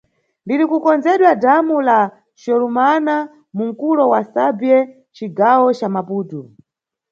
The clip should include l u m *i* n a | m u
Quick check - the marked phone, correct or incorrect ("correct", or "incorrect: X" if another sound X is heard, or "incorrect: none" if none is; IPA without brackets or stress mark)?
incorrect: a